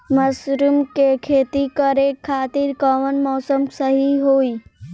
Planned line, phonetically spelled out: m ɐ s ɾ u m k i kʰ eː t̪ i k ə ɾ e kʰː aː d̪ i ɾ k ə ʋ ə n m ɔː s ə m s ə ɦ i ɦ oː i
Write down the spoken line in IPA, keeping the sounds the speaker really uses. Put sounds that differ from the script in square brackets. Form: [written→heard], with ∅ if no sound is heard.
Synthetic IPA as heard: m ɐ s ɾ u m k [i→e] kʰ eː t̪ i k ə ɾ e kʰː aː [d̪→t̪] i ɾ k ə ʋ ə n m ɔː s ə m s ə ɦ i ɦ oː i